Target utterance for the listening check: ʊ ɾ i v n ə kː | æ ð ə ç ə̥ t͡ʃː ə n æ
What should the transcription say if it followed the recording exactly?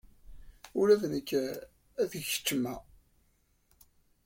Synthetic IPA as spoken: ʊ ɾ æ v n ə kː | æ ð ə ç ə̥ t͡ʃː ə m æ